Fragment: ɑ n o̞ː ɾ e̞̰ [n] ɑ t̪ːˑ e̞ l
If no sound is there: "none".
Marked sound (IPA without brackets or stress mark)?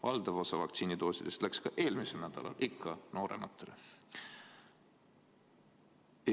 m